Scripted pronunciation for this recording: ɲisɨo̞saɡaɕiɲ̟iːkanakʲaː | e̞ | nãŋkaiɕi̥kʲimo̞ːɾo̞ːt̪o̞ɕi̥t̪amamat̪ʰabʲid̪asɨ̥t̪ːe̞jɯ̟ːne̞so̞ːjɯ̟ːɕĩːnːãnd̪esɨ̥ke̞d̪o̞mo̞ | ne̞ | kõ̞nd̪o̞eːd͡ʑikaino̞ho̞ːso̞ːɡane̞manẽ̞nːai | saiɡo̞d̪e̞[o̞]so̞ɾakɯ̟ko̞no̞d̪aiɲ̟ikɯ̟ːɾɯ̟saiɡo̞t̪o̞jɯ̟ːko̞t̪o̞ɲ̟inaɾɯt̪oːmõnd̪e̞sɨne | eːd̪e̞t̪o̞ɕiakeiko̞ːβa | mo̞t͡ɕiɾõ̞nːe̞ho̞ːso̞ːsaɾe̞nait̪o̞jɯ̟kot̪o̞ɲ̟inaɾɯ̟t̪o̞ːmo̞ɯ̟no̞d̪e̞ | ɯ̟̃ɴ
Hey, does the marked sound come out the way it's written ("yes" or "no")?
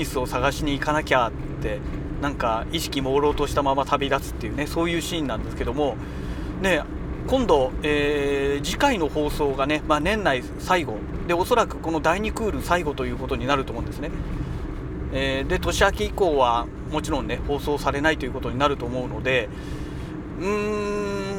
yes